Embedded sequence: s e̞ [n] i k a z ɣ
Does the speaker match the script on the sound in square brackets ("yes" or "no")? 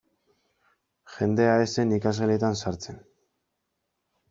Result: yes